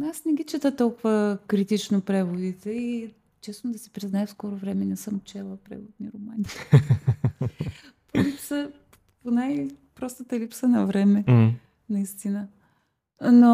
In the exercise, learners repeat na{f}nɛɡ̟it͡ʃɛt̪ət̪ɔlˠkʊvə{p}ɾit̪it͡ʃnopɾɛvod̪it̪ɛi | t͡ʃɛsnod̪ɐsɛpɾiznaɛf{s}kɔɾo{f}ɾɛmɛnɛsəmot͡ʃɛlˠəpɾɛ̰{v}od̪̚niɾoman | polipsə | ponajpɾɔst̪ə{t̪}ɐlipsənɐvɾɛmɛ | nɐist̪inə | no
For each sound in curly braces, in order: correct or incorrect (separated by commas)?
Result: incorrect, incorrect, correct, incorrect, correct, correct